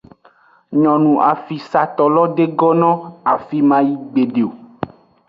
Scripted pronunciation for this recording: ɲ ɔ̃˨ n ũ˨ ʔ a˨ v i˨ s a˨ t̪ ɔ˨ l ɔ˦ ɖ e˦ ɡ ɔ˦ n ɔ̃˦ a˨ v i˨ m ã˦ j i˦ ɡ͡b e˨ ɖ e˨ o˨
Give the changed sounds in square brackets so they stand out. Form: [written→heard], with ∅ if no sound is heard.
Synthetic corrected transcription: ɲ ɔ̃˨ n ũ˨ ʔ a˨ [v→f] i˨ s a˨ t̪ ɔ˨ l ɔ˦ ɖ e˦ ɡ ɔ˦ n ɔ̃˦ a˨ [v→f] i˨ m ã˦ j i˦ ɡ͡b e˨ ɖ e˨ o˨